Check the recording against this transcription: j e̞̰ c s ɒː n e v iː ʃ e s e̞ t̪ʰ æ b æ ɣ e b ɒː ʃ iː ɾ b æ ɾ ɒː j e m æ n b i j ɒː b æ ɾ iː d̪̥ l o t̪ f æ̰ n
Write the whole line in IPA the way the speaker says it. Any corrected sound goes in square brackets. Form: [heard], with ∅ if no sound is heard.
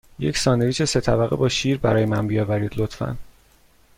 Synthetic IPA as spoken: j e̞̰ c s ɒː n e v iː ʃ e s e̞ t̪ʰ æ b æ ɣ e b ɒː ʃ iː ɾ b æ ɾ ɒː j e m æ n b i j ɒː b æ ɾ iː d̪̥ l o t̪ f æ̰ n